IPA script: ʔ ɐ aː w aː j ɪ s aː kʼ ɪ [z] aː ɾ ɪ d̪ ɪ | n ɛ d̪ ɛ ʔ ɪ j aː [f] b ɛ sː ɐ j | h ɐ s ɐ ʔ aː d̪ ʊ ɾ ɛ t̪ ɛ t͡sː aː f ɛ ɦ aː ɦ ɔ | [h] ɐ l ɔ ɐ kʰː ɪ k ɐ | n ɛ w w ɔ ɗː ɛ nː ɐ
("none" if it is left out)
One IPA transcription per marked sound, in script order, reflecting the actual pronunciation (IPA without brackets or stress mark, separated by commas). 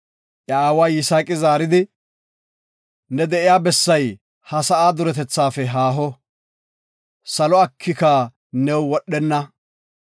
z, none, s